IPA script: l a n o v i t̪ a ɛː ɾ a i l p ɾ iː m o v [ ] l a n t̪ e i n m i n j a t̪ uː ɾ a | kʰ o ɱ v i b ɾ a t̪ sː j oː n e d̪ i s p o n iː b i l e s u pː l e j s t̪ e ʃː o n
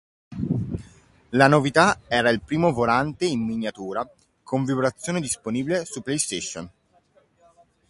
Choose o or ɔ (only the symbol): o